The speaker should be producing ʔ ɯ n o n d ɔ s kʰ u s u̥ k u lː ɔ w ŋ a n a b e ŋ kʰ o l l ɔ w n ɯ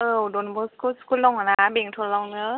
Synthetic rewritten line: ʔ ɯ d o n b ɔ s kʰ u s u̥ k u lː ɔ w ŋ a n a b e ŋ tʰ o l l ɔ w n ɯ